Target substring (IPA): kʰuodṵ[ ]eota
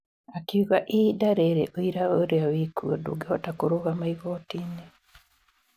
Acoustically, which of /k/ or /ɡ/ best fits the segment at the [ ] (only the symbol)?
ɡ